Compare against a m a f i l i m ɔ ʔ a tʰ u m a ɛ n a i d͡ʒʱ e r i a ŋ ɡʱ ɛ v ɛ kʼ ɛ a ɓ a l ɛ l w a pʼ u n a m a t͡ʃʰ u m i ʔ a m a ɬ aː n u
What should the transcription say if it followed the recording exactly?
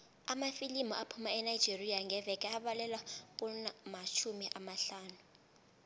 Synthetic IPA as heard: a m a f i l i m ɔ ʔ a pʰ u m a ɛ n a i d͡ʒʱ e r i a ŋ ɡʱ ɛ v ɛ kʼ ɛ a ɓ a l ɛ l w a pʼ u n a m a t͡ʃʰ u m i ʔ a m a ɬ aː n u